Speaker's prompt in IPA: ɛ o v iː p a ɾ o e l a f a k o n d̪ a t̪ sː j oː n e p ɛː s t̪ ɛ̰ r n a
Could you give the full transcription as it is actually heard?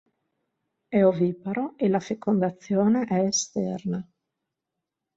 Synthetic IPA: ɛ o v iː p a ɾ o e l a f e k o n d̪ a t̪ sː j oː n e ʔ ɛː s t̪ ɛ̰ r n a